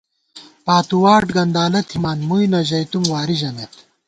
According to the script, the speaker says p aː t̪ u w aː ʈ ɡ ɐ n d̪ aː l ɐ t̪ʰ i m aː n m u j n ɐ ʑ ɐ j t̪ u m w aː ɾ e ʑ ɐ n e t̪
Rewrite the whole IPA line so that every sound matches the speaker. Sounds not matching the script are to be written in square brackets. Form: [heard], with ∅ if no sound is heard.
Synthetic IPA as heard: p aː t̪ u w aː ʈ ɡ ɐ n d̪ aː l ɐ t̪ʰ i m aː n m u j n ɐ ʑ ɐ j t̪ u m w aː ɾ [i] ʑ ɐ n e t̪